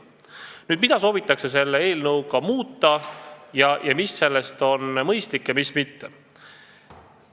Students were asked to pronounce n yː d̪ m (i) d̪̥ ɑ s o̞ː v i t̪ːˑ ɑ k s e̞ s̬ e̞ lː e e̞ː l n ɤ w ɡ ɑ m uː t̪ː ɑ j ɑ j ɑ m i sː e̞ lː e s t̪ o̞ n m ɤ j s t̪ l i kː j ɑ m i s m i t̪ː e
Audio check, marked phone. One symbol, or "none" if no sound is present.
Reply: i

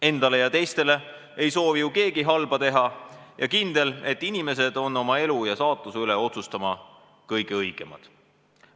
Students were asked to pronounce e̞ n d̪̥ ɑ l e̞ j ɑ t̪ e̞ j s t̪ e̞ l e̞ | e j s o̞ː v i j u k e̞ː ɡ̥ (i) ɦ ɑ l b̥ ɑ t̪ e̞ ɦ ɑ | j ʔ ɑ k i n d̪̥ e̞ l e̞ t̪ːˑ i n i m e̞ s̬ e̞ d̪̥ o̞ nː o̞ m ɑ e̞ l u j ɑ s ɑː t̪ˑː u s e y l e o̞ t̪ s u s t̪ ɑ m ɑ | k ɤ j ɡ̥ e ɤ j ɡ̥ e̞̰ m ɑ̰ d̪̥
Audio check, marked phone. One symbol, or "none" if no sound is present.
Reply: i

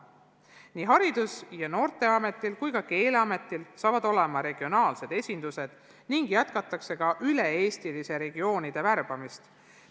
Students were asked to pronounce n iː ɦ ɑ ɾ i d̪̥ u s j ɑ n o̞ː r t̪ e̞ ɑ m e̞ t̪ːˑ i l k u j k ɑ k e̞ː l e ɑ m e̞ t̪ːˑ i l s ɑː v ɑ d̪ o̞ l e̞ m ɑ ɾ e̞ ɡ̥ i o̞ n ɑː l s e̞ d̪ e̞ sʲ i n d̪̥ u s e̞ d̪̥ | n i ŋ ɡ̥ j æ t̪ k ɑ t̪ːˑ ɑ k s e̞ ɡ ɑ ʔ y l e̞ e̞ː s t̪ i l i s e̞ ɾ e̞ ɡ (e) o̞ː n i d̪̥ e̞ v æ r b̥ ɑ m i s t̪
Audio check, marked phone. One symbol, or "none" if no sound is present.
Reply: i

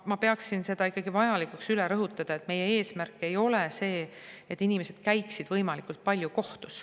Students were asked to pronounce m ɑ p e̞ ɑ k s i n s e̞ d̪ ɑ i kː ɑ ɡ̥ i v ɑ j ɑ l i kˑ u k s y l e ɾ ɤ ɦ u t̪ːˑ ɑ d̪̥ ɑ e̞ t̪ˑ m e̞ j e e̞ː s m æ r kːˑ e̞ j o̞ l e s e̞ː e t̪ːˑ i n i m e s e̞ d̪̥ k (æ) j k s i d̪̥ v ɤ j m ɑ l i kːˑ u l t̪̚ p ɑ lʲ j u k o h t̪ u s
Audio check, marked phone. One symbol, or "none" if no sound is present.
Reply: æ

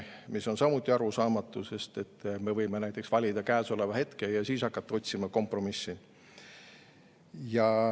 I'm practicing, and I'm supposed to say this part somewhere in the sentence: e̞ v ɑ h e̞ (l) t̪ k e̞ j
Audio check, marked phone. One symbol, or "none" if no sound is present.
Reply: none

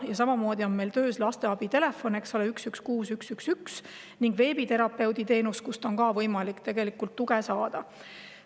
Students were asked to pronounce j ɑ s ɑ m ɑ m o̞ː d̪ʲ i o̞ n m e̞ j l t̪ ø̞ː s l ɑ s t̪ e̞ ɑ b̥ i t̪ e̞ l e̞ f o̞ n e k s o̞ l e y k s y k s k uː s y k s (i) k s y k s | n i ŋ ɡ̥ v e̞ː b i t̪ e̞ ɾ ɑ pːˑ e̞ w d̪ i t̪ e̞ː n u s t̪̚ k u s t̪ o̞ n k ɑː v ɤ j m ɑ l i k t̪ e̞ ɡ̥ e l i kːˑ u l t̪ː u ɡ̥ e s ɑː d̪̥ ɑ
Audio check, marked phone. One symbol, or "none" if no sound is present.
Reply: y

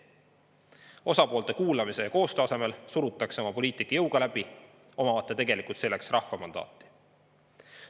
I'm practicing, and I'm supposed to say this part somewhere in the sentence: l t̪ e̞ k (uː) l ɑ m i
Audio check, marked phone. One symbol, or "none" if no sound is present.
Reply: uː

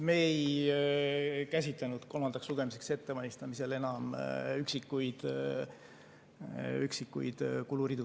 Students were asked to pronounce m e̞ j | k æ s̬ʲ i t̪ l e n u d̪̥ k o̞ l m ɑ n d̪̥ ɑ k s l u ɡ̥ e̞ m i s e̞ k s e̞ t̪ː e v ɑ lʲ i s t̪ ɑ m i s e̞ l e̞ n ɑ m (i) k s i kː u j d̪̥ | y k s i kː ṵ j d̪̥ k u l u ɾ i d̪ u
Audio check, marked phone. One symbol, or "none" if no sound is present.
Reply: y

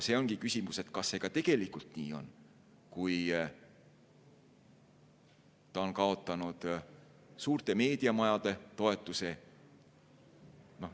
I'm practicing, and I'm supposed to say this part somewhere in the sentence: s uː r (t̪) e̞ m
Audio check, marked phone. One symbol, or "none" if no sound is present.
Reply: t̪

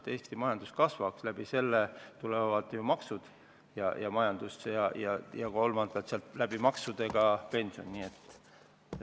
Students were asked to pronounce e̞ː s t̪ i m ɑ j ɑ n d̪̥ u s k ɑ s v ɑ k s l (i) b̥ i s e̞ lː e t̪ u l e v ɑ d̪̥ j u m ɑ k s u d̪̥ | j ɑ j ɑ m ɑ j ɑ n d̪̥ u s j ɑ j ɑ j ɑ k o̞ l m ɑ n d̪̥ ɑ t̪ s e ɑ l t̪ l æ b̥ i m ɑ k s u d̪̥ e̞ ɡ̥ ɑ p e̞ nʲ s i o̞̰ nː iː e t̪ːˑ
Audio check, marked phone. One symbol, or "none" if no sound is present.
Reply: æ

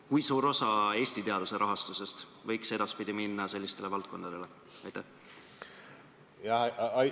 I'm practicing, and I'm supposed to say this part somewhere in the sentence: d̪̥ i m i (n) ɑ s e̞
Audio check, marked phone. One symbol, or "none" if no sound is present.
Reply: nː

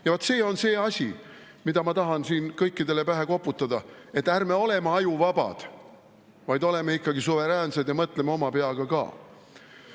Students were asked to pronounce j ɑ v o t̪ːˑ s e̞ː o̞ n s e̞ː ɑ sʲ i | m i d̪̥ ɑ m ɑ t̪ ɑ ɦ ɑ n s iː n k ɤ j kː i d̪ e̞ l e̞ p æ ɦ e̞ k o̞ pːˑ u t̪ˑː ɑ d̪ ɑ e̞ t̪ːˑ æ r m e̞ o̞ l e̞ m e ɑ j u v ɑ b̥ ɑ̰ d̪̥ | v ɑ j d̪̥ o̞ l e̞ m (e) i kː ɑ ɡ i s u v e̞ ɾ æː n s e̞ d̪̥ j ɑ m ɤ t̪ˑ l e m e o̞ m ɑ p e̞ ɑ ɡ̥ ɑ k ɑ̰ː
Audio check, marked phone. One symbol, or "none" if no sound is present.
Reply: e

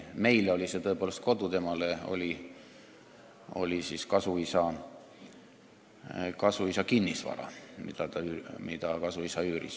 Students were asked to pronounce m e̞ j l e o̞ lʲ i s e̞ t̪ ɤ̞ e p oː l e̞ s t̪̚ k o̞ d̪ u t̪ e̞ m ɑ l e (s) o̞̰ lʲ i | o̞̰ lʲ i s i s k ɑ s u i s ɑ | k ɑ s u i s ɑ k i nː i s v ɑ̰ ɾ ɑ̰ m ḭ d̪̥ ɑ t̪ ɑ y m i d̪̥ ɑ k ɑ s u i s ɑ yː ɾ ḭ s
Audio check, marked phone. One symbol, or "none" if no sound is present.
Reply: none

